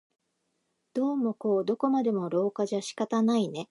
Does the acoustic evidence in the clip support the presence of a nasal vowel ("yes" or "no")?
no